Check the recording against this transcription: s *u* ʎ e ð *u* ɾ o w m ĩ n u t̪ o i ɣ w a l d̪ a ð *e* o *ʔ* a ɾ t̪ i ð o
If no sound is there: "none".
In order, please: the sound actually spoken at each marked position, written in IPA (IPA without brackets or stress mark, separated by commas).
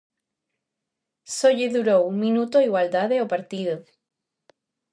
o, u, e, p